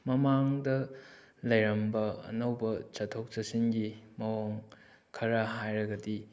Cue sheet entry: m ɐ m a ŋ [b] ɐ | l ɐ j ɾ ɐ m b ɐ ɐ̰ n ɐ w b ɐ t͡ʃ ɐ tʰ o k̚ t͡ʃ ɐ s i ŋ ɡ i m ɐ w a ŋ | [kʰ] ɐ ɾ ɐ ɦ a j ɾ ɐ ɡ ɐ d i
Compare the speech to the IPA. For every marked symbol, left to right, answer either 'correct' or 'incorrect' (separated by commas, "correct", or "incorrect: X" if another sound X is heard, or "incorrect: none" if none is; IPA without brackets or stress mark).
incorrect: d, correct